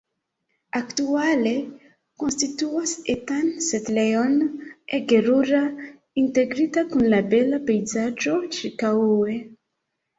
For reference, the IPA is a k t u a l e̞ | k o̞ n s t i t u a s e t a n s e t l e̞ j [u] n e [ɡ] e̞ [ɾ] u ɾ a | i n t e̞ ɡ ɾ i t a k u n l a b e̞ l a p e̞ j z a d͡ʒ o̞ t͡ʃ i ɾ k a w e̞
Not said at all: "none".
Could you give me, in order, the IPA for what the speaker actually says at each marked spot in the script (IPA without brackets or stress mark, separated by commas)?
o, ɡ, ɾ